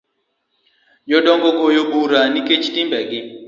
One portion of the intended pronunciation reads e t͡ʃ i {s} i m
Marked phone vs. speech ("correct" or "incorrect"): incorrect